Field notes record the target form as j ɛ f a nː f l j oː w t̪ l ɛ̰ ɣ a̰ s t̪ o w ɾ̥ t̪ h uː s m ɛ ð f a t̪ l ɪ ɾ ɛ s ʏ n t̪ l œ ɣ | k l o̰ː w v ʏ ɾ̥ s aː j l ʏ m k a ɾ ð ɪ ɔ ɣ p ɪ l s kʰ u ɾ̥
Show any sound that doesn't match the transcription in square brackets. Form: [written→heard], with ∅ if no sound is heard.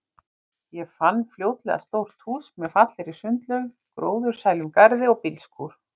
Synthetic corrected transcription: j ɛ f a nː f l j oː w t̪ l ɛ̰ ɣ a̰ s t̪ o w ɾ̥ t̪ h uː s m ɛ ð f a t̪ l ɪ ɾ [ɛ→i] s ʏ n t̪ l œ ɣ | k [l→ɾ] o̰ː w [v→ð] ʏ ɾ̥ s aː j l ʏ m k a ɾ ð ɪ ɔ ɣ p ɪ l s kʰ u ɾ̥